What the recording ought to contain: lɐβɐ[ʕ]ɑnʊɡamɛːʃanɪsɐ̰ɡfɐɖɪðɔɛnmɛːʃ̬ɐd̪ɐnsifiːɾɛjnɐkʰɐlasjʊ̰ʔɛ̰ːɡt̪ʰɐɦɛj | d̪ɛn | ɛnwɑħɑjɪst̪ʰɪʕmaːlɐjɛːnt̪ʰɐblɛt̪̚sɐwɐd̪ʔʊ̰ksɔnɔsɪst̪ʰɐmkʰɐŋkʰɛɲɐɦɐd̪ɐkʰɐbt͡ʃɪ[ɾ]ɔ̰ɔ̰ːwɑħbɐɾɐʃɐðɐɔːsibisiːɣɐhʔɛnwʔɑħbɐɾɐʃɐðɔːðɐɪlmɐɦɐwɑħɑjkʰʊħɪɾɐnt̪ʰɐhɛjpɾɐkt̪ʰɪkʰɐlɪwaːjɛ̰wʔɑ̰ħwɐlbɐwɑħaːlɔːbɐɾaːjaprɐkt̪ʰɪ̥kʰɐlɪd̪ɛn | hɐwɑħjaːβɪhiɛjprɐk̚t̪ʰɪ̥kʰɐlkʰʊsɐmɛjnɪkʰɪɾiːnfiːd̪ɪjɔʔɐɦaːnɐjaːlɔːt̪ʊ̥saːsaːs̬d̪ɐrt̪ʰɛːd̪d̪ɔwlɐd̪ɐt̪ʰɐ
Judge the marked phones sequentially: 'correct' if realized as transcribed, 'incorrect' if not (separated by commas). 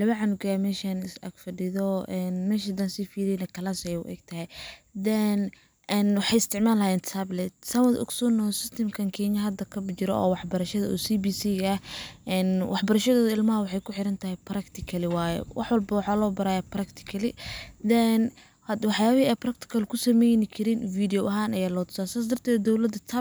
correct, correct